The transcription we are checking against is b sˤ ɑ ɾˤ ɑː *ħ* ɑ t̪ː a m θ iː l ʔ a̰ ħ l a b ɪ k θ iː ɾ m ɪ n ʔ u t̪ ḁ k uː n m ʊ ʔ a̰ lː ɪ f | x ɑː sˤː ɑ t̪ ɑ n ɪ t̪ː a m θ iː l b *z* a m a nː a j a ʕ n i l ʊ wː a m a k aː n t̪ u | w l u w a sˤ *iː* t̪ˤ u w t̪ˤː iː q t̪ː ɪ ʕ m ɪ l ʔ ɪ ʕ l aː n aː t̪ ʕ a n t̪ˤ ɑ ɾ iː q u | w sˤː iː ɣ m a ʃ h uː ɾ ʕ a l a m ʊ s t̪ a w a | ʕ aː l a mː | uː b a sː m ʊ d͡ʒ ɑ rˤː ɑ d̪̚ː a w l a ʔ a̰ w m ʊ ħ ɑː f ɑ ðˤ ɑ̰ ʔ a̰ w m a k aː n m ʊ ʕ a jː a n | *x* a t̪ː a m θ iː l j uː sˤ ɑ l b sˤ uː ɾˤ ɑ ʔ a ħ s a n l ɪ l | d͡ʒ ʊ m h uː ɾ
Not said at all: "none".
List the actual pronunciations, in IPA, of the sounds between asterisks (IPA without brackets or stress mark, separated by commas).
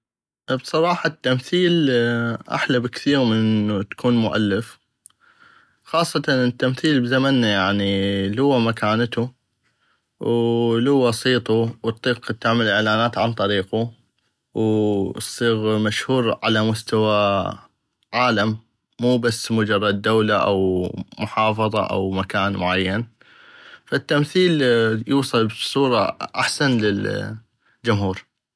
ħ, z, iː, f